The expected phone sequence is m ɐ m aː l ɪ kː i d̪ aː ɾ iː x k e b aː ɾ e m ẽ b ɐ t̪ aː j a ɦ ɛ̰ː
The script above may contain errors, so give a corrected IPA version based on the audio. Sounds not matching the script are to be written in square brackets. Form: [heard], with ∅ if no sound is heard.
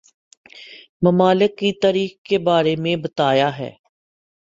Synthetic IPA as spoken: m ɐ m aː l ɪ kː i [t̪] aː ɾ iː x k e b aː ɾ e m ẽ b ɐ t̪ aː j a ɦ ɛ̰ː